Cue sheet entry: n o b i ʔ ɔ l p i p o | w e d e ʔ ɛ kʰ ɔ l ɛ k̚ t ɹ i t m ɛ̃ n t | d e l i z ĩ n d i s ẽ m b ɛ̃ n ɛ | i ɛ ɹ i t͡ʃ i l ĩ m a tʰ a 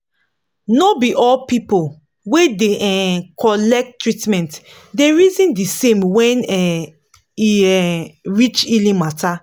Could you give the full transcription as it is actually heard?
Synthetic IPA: n o b i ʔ ɔ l p i p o | w e d e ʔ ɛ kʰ ɔ l ɛ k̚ t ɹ i t m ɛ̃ n t | d e ɹ i z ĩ n d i s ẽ m w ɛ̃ n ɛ | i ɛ ɹ i t͡ʃ i l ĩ m a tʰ a